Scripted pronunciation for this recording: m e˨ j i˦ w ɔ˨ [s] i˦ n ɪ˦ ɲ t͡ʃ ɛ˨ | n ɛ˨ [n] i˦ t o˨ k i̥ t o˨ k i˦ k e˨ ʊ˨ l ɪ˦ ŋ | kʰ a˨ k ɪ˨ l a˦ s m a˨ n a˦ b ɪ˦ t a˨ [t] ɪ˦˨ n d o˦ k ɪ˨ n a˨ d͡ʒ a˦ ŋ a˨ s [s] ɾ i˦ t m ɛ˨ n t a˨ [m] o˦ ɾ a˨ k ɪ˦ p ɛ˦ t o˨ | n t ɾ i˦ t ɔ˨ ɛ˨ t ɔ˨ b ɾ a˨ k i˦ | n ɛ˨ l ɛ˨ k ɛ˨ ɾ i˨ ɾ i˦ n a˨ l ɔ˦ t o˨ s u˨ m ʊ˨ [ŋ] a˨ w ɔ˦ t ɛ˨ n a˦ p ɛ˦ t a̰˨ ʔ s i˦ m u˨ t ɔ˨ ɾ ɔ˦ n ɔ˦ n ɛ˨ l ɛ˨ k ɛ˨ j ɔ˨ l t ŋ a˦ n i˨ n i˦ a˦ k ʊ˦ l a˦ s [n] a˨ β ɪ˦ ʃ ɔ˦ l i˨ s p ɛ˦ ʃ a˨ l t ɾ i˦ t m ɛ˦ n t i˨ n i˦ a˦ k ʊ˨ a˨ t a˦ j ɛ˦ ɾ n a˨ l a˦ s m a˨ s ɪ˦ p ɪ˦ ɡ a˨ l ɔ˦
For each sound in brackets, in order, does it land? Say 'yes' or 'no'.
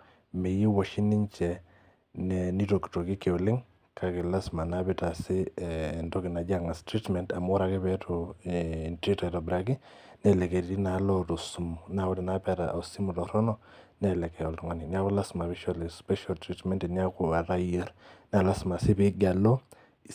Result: no, yes, no, no, yes, no, no

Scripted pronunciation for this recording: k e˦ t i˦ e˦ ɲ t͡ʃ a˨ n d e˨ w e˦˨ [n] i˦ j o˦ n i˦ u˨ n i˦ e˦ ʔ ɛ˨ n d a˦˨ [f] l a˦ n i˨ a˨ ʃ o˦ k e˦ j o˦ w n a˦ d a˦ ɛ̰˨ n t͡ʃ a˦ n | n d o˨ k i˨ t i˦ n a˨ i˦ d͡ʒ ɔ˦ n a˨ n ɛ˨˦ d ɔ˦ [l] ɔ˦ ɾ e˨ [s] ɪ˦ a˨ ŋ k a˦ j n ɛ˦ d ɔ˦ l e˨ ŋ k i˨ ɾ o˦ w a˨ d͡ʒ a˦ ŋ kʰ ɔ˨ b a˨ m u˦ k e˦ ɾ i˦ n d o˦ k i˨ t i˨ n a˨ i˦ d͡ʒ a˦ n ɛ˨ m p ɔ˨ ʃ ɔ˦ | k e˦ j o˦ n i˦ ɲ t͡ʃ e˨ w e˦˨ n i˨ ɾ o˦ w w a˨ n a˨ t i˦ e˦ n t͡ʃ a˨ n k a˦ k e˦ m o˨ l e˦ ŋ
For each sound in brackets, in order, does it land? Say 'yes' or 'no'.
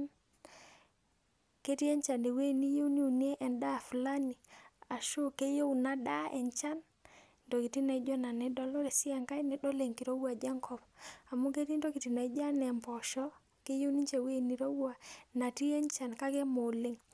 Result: yes, yes, yes, yes

